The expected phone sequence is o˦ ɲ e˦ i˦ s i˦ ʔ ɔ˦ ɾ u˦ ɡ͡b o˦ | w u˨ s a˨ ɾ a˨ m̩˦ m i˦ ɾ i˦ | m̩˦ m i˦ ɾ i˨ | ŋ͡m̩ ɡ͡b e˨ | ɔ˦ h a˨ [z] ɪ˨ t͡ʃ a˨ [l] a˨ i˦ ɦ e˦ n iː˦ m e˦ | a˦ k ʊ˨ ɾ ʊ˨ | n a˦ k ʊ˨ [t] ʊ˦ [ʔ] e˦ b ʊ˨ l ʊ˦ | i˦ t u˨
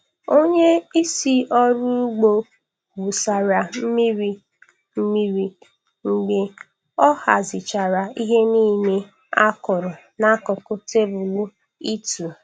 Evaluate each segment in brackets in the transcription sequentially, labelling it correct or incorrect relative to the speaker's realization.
correct, incorrect: ɾ, incorrect: k, incorrect: t

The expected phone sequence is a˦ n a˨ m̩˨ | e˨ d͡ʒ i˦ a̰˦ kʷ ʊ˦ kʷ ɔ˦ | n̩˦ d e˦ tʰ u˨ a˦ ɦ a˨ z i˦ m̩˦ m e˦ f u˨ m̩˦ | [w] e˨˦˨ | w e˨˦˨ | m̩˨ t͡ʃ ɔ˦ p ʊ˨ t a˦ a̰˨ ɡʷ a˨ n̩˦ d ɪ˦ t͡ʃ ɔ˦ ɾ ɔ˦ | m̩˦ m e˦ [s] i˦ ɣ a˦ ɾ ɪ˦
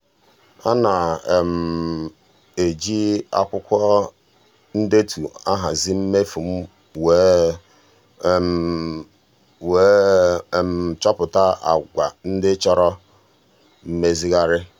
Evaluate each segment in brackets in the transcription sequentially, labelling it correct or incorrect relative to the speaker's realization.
correct, incorrect: z

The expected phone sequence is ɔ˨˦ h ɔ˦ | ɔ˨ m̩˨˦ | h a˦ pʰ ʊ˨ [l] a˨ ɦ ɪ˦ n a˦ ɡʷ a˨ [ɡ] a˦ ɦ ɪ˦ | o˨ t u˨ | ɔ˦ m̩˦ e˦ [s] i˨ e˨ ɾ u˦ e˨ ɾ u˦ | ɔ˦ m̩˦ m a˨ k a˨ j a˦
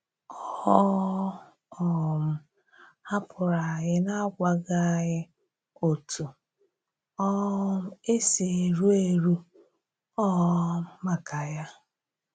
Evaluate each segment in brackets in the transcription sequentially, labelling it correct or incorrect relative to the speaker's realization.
incorrect: ɾ, correct, correct

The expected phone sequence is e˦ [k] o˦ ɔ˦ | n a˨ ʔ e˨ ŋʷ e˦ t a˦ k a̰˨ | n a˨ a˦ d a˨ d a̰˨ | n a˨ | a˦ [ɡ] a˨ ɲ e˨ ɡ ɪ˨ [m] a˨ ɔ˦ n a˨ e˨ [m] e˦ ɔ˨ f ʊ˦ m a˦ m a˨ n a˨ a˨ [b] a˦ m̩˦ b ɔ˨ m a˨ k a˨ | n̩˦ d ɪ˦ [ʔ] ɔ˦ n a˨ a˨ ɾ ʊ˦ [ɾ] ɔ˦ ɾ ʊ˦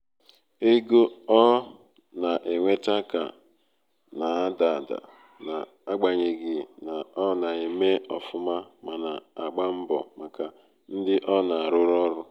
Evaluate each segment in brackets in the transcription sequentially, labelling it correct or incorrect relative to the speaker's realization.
incorrect: ɡ, incorrect: ɡ͡b, incorrect: n, correct, incorrect: ɡ͡b, correct, correct

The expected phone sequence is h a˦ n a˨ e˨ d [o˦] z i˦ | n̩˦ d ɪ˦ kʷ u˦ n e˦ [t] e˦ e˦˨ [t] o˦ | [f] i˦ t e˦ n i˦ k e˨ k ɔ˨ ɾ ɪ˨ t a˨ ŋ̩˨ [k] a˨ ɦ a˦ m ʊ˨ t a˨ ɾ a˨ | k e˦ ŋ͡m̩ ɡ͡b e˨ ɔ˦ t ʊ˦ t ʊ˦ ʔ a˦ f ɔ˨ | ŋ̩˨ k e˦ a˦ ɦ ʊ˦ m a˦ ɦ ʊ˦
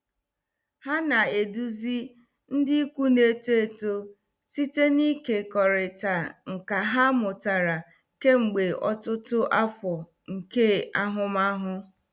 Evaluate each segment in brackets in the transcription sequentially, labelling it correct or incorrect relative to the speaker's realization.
incorrect: u˦, correct, correct, incorrect: s, correct

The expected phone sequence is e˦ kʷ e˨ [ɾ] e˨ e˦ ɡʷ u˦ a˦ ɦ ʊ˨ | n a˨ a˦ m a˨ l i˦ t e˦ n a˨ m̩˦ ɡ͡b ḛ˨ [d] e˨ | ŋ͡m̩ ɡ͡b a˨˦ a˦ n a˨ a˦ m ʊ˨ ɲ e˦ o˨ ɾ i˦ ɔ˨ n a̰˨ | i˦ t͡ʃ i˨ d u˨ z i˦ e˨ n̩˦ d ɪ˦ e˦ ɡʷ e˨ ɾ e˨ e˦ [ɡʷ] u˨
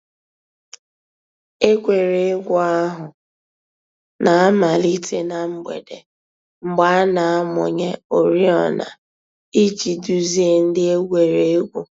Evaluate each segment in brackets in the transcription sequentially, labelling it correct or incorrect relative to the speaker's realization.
correct, correct, correct

